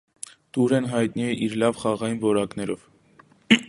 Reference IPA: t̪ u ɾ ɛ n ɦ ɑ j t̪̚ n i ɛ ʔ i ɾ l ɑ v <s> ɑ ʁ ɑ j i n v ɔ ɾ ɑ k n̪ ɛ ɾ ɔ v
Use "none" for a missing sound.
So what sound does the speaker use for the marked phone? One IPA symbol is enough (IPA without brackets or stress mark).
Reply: χ